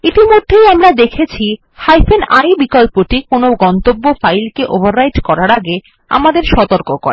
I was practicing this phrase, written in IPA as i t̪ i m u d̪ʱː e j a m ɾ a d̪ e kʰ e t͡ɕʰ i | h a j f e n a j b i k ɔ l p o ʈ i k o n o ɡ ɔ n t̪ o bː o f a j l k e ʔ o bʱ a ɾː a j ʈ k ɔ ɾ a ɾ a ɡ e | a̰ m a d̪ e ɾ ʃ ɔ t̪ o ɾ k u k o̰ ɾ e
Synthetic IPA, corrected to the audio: i t̪ i m o d̪ʱː e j a m ɾ a d̪ e kʰ e t͡ɕʰ i | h a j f e n a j b i k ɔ l p o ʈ i k o n o ɡ ɔ n t̪ o bː o f a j l k e ʔ o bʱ a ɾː a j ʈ k ɔ ɾ a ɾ a ɡ e | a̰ m a d̪ e ɾ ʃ ɔ t̪ o ɾ k o k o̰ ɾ e

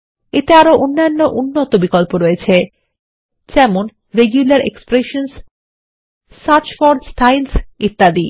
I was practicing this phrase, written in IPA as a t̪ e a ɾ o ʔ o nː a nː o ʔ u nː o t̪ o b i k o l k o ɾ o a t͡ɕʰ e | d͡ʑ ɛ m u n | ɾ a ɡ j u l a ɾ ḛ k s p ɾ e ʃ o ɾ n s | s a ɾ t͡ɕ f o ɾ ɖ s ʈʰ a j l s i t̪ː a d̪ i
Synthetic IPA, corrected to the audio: e t̪ e a ɾ o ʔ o nː a nː o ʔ u nː o t̪ o b i k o l p o ɾ o e t͡ɕʰ e | d͡ʑ ɛ m o n | ɾ e ɡ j u l a ɾ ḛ k s p ɾ e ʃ o n s | s a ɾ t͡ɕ f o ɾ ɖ s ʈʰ a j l s i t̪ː a d̪ i

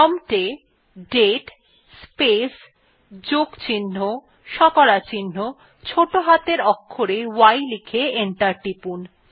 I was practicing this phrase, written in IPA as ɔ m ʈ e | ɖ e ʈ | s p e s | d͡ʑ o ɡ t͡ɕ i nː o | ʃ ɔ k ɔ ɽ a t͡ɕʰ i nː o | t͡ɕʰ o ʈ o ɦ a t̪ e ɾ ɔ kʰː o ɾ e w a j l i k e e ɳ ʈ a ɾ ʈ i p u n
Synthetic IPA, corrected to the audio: ɔ m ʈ e | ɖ e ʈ | s p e s | d͡ʑ o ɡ t͡ɕ i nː o | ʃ ɔ k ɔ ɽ a t͡ɕ i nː o | t͡ɕʰ o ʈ o ɦ a t̪ e ɾ ɔ kʰː o ɾ e w a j l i kʰ e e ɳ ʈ a ɾ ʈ i p u n

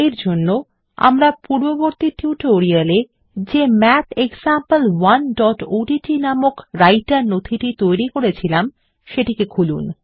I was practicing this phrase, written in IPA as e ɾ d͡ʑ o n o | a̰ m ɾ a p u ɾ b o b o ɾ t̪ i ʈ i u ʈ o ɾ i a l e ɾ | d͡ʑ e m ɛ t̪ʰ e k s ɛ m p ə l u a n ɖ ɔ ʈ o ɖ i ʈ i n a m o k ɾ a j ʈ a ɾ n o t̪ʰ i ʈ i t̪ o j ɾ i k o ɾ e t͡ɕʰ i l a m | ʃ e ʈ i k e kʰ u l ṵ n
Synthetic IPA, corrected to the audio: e ɾ d͡ʑ o nː o | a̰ m ɾ a p u ɾ b o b o ɾ t̪ i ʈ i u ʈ o ɾ i a l e | d͡ʑ e m ɛ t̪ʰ e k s a m p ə l w a n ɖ ɔ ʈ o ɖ i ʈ i n a m o k ɾ a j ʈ a ɾ n o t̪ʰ i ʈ i t̪ o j ɾ i k o ɾ e t͡ɕʰ i l a m | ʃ e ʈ i k e kʰ u l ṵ n

